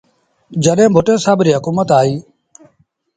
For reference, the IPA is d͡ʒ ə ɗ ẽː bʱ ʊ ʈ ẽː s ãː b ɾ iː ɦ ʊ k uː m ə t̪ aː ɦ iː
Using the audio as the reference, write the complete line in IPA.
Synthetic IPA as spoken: d͡ʒ ə ɗ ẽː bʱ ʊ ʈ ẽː s aː b ɾ iː ɦ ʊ k uː m ə t̪ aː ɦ iː